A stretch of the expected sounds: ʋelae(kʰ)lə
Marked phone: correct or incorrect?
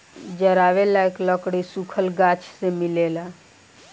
incorrect